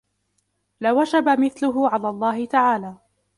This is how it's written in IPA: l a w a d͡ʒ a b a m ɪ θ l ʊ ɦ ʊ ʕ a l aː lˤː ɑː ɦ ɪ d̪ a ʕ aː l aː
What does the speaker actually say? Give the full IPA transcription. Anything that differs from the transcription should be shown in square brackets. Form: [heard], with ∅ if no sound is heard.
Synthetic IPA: l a w a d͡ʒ a b a m ɪ θ l ʊ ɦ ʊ ʕ a l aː lˤː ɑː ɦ ɪ [t̪] a ʕ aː l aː